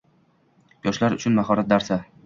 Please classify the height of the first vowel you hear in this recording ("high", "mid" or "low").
low